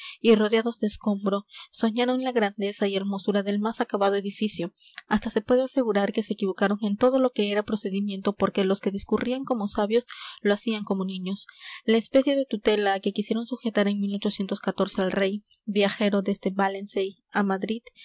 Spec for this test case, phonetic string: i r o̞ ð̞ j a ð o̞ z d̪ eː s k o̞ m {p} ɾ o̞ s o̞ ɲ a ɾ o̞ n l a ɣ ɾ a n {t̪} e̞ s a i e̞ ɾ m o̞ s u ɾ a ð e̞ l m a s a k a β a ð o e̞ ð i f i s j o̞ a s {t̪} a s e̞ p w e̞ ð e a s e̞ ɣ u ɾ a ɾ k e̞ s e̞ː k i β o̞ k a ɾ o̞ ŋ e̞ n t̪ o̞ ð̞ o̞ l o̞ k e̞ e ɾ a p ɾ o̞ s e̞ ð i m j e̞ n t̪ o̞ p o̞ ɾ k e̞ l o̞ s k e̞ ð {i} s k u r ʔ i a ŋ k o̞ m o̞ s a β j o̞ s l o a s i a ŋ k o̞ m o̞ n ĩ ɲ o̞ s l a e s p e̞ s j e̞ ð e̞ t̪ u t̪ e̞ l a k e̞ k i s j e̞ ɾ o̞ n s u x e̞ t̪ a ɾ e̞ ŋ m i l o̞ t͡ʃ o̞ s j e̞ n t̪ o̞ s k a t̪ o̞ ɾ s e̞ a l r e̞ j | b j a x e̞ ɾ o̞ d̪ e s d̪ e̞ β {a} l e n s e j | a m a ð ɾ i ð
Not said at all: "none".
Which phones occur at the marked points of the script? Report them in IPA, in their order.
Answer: b, d̪, t̪, i, a

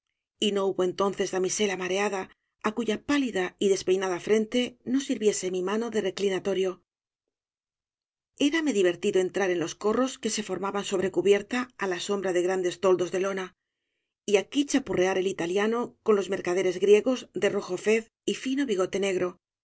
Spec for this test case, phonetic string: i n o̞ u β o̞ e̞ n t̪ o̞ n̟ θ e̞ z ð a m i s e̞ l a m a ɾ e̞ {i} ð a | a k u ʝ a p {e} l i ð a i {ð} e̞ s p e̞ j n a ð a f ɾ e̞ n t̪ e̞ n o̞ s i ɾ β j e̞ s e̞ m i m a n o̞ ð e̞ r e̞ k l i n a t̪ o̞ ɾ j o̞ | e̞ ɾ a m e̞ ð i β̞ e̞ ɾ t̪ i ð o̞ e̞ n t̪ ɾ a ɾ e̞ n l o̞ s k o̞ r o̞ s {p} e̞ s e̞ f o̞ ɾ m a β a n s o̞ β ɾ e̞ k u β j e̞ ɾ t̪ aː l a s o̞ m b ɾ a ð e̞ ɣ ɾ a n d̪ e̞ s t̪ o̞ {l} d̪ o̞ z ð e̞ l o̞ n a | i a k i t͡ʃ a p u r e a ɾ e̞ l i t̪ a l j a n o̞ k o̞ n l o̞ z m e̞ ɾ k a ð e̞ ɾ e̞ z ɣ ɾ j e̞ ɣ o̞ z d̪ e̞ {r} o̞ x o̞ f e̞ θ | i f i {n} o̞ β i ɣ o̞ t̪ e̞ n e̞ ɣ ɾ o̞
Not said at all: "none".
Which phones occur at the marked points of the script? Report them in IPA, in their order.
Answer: a, a, ð, k, l, r, n

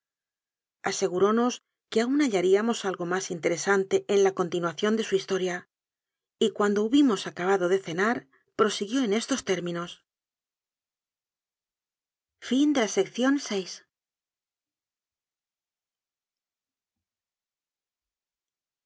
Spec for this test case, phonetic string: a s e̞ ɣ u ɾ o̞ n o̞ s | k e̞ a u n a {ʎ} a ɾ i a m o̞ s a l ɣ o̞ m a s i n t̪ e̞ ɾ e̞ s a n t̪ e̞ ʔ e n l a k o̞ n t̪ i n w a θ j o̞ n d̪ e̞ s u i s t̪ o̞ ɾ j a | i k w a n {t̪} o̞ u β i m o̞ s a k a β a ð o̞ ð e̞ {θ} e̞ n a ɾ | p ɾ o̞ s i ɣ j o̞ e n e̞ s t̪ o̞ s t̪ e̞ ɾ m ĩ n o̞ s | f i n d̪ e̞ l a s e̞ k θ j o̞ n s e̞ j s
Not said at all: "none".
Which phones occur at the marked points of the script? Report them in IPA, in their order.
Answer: ʎ, d̪, θ

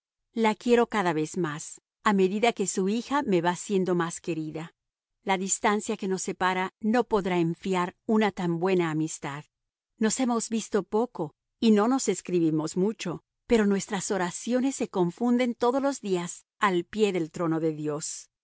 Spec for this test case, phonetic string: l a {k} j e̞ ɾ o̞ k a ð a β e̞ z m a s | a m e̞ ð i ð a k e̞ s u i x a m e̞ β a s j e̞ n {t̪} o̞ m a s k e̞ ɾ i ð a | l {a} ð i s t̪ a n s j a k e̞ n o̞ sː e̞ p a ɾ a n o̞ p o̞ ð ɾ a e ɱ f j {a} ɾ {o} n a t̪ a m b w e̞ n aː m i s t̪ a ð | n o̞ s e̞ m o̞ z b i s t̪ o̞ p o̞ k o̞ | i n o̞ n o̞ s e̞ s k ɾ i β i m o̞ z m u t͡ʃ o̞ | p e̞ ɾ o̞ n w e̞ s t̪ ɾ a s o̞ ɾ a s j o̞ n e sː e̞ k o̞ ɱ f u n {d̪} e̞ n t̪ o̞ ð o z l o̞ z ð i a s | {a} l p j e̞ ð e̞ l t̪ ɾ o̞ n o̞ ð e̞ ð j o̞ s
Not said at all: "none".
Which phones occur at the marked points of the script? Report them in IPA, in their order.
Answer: k, d̪, a, a, u, d̪, a

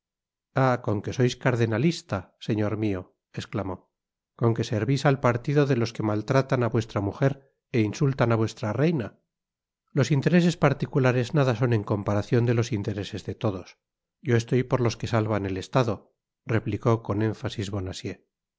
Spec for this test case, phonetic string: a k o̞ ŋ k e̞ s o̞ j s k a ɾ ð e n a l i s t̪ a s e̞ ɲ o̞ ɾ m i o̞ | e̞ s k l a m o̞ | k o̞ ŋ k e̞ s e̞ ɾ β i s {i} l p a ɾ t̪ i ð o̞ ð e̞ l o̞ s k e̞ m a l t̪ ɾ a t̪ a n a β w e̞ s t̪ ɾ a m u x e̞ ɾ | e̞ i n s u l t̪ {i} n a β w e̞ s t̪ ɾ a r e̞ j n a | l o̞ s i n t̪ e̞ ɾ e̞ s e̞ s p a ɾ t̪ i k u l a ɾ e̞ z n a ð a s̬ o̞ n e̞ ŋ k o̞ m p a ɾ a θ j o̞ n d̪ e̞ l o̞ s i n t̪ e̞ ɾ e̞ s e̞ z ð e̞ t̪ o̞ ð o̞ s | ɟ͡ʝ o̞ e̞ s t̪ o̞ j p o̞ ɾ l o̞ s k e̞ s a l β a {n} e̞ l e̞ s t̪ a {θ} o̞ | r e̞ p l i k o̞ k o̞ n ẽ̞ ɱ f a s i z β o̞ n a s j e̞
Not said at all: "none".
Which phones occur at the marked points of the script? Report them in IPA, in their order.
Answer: a, a, n, ð

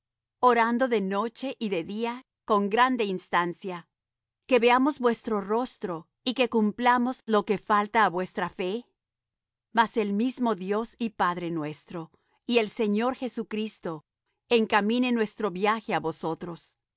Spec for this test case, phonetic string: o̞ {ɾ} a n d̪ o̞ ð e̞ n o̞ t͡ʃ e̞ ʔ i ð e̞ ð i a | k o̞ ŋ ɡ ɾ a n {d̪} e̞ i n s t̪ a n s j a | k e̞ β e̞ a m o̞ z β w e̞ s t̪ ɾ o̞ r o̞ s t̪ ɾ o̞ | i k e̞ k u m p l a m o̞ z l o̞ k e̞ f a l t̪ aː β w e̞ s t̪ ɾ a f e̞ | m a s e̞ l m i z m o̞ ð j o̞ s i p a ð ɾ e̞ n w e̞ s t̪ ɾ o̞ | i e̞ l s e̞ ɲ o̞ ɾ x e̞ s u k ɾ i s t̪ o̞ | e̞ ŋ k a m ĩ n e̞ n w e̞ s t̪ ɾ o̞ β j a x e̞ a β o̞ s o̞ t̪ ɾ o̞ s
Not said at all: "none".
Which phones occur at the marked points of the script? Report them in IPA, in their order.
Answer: ɾ, d̪

